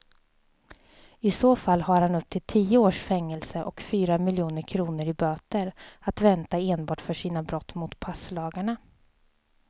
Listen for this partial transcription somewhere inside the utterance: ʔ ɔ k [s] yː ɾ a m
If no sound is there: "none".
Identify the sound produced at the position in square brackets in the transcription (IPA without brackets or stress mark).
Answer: f